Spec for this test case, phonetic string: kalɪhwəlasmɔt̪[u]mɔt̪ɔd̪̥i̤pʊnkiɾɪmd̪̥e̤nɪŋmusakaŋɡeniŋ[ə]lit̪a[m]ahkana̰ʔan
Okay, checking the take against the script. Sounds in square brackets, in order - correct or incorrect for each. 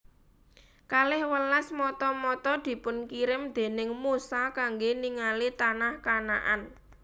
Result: incorrect: ɔ, incorrect: a, incorrect: n

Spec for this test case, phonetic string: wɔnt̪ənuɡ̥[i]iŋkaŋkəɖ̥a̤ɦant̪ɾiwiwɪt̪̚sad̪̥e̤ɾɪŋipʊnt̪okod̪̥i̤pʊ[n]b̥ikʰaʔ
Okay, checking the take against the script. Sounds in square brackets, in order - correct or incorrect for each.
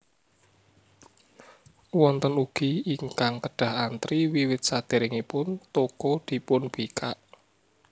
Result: correct, correct

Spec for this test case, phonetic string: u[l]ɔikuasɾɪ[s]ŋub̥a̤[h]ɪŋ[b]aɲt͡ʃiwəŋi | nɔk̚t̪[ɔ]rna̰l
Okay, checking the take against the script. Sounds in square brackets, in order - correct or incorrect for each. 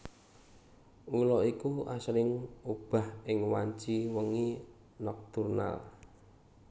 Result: correct, incorrect: none, correct, incorrect: w, incorrect: u

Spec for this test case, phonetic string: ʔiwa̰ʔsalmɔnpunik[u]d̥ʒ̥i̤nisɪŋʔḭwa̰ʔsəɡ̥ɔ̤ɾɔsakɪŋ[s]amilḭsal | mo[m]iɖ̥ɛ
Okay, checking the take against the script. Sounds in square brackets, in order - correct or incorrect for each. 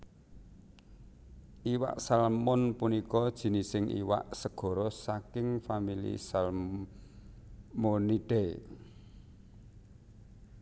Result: incorrect: ɔ, incorrect: f, incorrect: n

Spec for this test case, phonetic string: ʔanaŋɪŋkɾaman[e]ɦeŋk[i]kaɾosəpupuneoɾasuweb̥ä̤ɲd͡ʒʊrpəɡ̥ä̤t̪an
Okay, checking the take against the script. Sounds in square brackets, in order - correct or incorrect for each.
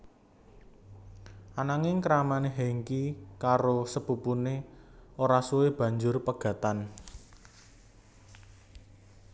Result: correct, correct

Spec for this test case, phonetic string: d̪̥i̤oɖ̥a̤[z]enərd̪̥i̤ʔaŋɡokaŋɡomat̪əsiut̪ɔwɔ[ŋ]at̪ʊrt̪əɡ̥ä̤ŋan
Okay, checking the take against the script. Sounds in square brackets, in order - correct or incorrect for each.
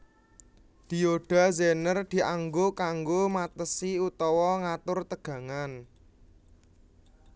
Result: correct, correct

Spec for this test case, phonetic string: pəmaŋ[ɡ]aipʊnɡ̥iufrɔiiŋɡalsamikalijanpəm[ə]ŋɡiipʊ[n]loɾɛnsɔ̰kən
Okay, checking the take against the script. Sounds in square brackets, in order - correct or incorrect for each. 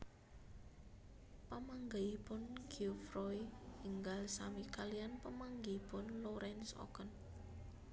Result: correct, incorrect: a, correct

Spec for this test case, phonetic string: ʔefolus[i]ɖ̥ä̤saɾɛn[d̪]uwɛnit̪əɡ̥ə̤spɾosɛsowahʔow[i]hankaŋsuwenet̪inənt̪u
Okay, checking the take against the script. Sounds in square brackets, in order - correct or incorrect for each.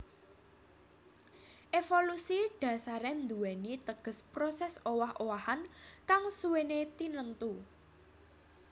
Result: correct, correct, incorrect: a

